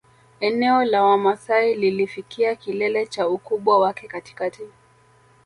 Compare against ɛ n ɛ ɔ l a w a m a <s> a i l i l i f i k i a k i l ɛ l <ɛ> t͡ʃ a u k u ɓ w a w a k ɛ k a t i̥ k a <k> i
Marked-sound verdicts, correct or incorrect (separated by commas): correct, correct, incorrect